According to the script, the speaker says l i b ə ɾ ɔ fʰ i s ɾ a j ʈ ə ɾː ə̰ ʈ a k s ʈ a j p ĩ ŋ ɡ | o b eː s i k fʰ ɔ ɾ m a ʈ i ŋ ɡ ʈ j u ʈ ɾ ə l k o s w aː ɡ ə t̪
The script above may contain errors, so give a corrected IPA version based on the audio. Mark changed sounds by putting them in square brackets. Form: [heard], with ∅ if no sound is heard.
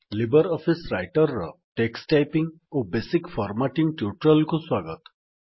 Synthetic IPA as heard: l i b ə ɾ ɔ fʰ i s ɾ a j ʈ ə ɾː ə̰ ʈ [e] k s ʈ a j p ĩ ŋ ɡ | o b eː s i k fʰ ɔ ɾ m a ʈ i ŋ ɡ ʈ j u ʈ ɾ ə l k o s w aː ɡ ə t̪